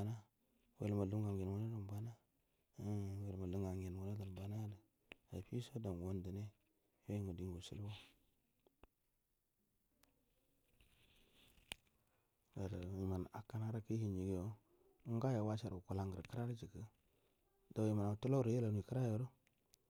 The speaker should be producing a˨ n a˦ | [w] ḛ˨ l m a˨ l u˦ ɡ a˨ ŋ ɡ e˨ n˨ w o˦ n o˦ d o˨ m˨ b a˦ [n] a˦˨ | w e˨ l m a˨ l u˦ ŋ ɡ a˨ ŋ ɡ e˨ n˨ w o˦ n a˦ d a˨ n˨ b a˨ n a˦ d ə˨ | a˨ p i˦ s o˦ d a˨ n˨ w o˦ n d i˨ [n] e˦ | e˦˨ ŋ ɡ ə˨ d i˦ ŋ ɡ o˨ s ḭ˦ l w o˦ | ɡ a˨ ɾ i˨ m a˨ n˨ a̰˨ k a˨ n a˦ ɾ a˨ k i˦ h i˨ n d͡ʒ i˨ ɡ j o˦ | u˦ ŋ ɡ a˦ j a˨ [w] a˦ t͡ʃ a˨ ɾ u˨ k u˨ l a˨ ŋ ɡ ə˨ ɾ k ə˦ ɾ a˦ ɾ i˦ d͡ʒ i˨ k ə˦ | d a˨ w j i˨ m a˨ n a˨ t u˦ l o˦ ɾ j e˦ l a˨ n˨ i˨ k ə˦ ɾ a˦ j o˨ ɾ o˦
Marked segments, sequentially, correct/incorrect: correct, correct, correct, correct

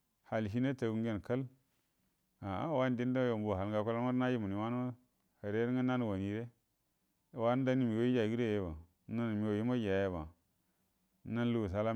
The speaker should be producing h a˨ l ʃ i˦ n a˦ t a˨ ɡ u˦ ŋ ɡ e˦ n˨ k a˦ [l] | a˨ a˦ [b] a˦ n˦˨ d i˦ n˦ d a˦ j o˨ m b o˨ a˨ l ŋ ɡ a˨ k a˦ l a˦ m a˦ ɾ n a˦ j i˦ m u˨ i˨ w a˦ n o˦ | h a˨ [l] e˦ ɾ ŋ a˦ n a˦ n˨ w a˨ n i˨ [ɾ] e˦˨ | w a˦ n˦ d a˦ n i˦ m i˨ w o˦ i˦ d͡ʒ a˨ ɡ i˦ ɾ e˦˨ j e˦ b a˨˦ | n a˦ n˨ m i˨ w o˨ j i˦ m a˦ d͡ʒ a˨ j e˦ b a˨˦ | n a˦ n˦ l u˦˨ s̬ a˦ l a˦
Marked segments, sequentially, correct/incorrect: correct, incorrect: w, incorrect: ɾ, correct

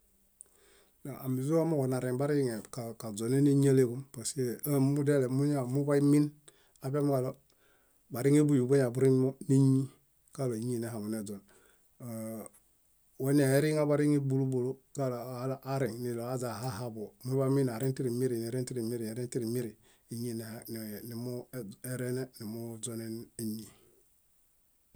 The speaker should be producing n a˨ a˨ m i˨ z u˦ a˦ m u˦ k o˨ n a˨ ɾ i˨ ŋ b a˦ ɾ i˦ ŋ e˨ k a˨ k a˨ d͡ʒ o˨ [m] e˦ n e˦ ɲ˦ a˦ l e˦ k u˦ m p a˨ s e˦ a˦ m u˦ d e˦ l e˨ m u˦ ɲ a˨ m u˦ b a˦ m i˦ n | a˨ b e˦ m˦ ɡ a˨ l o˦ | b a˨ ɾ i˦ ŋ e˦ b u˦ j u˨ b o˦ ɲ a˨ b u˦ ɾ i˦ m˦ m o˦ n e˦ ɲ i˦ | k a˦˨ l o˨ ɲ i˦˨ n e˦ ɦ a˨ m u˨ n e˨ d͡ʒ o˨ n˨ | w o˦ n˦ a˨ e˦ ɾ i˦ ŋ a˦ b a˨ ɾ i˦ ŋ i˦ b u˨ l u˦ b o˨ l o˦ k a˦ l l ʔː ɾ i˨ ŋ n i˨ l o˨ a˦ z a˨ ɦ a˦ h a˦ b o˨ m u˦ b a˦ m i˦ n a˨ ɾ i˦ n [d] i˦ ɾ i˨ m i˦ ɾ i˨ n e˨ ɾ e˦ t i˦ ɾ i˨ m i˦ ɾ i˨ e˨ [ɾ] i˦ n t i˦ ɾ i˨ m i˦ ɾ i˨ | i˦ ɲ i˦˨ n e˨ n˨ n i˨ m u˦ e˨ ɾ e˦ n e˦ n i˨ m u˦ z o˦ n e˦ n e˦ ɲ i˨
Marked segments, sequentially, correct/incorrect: incorrect: n, incorrect: t, correct

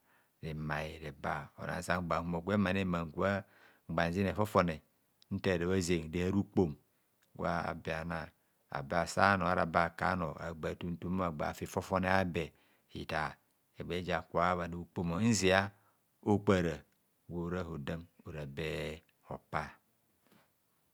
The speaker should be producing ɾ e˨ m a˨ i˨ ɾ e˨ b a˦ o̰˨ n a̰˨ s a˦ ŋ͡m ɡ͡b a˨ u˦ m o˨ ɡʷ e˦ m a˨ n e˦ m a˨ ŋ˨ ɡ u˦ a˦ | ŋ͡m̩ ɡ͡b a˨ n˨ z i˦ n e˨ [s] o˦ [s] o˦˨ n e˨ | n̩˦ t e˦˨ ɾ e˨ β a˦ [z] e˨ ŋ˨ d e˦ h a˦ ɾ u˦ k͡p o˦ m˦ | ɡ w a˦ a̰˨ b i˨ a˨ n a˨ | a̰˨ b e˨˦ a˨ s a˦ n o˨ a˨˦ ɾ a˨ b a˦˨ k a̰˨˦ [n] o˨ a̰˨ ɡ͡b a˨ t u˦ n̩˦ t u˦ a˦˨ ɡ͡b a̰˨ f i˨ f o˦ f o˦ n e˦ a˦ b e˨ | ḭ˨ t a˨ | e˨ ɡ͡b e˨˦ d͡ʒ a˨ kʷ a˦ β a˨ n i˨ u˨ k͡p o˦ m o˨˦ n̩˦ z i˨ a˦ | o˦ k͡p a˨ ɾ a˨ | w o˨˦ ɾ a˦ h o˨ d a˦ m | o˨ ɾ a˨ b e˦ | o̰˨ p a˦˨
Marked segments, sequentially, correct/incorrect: incorrect: f, incorrect: f, correct, correct

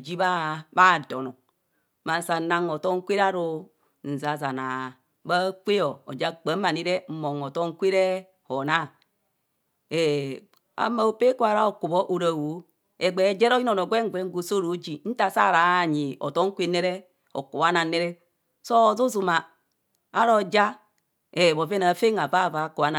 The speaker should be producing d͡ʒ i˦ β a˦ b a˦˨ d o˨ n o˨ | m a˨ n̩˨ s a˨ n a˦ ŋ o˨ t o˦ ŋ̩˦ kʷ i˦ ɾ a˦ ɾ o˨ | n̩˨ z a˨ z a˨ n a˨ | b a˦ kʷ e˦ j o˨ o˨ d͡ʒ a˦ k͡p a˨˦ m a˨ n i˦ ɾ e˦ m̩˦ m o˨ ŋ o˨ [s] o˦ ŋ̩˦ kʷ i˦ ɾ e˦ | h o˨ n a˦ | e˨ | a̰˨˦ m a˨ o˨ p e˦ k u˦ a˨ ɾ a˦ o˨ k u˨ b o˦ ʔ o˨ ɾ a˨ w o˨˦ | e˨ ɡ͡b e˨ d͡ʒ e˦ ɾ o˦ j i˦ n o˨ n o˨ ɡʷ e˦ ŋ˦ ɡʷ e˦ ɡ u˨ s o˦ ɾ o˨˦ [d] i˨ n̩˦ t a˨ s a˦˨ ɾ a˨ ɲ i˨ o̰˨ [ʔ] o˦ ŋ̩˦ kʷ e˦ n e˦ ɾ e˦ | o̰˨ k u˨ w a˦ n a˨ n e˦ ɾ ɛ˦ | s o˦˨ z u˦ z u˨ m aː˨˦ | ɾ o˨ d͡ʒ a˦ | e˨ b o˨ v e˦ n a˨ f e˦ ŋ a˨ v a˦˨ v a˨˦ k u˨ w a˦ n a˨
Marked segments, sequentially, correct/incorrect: incorrect: t, incorrect: d͡ʒ, incorrect: t

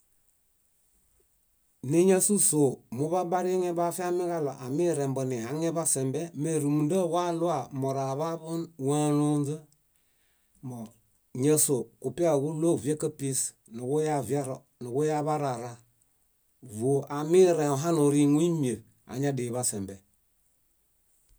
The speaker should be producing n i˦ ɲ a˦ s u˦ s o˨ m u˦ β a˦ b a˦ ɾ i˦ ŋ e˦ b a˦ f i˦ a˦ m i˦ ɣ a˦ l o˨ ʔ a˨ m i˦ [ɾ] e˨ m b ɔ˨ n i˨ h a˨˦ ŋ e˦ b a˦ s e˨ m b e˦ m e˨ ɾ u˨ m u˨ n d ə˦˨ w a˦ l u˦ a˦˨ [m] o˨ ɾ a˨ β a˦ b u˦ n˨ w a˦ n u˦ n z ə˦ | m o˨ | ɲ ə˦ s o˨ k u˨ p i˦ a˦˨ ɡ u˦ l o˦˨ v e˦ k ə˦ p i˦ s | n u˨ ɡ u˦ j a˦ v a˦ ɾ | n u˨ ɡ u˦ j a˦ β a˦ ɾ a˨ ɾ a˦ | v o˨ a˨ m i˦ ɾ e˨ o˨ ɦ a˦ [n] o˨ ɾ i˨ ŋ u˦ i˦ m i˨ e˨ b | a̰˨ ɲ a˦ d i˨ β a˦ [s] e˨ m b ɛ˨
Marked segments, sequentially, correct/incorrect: correct, correct, correct, correct

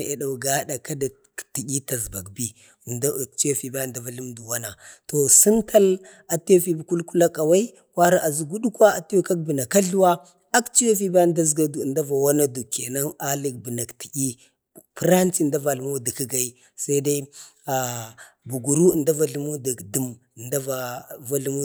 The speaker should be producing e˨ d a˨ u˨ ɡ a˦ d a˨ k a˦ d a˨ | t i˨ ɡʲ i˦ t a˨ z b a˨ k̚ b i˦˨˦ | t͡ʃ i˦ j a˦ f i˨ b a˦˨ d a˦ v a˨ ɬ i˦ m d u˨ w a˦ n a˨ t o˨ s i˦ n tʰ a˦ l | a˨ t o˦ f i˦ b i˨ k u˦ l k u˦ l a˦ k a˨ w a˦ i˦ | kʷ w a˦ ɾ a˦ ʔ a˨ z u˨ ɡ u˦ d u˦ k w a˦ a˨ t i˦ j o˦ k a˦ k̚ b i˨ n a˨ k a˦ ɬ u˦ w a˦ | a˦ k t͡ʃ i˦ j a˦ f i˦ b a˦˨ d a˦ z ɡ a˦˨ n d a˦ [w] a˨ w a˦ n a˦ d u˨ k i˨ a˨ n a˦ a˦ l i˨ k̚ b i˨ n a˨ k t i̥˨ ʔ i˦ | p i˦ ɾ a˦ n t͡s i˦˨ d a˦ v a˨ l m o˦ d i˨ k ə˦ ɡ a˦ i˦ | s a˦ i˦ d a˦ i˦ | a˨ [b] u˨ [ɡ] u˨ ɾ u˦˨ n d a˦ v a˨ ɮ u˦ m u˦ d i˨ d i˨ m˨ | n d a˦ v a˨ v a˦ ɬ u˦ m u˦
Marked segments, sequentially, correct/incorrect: incorrect: v, correct, correct

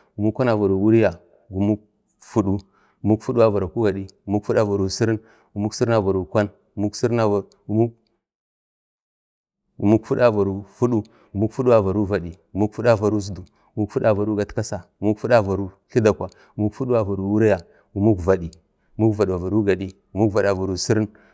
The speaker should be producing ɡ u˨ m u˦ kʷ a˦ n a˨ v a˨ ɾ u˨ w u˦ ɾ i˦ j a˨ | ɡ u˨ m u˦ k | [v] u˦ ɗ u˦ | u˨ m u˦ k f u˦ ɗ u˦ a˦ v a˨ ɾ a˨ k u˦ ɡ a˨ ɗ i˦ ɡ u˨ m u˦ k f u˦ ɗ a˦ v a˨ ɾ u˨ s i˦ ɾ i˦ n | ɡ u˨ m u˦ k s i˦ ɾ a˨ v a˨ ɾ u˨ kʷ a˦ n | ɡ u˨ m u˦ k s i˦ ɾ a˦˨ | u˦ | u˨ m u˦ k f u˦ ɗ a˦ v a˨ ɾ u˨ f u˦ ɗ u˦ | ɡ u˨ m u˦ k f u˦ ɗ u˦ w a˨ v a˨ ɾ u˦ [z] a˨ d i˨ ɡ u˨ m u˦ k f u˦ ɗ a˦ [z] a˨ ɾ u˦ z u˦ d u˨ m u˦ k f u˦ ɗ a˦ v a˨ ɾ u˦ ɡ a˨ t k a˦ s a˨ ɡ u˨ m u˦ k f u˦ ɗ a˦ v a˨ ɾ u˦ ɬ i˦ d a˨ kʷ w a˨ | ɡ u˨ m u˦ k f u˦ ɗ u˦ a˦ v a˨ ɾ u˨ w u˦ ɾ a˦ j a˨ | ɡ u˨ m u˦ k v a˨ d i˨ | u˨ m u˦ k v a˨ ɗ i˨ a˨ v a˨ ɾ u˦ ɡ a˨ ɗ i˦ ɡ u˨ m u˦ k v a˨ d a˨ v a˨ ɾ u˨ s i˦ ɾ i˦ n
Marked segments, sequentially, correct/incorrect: incorrect: f, incorrect: v, incorrect: v

